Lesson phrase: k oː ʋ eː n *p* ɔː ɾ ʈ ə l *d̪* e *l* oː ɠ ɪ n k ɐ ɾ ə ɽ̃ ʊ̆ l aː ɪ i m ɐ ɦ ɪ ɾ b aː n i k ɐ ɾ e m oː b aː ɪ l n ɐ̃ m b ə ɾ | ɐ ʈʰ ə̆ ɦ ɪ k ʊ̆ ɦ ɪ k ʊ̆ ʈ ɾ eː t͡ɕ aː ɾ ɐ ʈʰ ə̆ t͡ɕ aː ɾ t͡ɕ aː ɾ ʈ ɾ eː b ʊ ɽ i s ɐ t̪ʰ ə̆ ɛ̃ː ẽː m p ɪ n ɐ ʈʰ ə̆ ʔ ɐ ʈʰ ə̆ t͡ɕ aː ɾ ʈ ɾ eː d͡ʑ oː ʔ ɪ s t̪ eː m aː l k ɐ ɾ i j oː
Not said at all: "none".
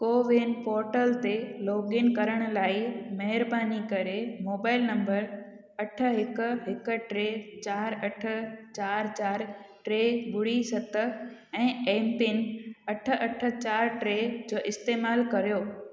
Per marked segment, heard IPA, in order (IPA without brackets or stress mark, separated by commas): p, t̪, l